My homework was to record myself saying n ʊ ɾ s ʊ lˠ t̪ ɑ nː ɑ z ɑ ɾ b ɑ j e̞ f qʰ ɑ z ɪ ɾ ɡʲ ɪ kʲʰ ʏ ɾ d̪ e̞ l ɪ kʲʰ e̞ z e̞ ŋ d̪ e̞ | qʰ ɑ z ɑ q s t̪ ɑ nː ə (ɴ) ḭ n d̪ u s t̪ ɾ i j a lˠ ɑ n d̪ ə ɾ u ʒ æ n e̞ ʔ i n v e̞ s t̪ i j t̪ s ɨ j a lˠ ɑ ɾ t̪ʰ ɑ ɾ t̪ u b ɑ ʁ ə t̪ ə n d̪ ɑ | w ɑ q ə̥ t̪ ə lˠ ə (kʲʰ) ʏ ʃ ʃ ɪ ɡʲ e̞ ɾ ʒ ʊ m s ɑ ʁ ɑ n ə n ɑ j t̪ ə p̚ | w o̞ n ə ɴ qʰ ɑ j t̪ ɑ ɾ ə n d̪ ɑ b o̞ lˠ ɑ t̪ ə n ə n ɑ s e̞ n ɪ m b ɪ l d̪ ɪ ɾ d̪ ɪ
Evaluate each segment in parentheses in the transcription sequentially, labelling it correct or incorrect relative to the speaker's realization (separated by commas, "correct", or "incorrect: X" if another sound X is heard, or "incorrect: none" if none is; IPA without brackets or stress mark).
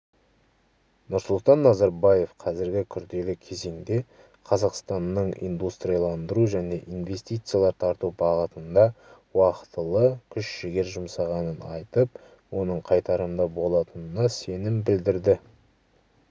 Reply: correct, correct